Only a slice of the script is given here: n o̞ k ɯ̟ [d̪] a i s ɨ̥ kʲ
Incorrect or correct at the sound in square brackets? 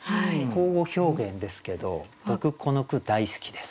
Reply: correct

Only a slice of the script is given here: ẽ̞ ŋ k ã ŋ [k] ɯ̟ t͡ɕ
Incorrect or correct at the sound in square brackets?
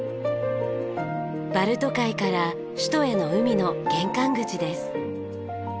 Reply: incorrect: ɡ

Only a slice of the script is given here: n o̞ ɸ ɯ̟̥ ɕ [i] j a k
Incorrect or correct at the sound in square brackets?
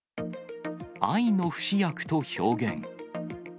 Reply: correct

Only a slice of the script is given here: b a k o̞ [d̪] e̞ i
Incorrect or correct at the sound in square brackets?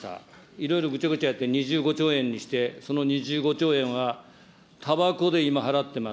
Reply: correct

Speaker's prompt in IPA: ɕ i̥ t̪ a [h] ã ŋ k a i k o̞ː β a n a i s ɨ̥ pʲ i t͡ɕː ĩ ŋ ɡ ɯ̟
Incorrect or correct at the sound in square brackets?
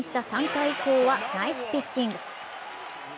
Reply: incorrect: s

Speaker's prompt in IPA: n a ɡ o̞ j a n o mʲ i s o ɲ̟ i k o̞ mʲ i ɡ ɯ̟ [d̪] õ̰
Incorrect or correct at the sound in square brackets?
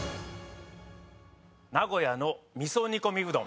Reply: correct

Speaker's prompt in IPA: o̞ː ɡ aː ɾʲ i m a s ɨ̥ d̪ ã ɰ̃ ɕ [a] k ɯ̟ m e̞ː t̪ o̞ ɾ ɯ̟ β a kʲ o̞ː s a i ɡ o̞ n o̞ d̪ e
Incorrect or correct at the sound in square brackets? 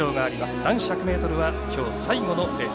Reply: correct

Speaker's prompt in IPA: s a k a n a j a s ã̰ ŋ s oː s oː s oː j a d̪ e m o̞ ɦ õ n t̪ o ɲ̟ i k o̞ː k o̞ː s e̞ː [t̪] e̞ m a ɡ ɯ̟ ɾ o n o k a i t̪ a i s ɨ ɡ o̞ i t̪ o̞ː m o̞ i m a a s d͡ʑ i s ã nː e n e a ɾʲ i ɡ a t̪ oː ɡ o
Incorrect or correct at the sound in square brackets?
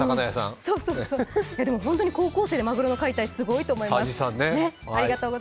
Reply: incorrect: d̪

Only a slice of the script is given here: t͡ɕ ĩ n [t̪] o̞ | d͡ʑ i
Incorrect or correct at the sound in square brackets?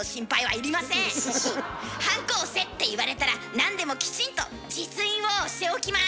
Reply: correct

